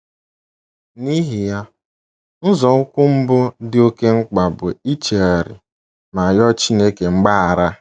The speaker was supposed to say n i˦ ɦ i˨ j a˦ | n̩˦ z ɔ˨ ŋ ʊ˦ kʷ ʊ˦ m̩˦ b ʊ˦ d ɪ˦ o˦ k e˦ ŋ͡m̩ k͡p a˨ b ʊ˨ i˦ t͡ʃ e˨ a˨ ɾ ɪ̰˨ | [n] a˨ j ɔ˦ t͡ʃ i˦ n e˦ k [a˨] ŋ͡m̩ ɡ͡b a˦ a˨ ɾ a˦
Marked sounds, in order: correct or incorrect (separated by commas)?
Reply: incorrect, incorrect